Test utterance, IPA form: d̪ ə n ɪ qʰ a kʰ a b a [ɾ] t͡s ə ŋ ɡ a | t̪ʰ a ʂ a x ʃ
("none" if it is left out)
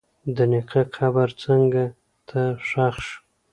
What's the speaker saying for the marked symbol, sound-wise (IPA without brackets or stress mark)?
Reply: ɾ